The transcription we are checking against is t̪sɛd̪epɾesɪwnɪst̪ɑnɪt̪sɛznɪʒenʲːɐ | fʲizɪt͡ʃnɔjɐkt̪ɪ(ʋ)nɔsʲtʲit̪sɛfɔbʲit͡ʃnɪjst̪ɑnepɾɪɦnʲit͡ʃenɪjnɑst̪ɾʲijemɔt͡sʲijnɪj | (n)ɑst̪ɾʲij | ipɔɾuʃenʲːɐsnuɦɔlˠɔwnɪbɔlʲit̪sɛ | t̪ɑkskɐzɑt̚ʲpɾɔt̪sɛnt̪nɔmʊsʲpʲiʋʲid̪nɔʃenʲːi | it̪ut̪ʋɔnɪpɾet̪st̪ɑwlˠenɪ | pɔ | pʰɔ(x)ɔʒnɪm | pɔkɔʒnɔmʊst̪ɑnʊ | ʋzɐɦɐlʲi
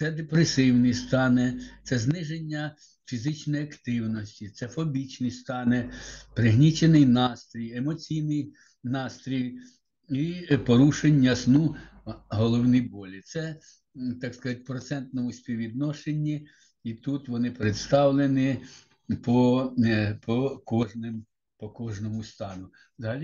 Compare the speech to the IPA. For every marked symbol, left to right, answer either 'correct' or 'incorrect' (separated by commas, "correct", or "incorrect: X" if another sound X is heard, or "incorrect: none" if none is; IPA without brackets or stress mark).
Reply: incorrect: w, correct, incorrect: k